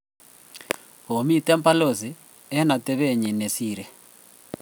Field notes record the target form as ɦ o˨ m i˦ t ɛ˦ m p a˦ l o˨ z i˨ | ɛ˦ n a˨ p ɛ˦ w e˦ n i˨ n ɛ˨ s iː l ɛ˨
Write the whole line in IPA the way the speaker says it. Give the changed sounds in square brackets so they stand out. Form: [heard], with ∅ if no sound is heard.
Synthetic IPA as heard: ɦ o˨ m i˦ t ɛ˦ m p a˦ l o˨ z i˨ | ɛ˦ n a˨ [t] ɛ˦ [β] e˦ [ɲ] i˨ n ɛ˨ s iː [ɾ] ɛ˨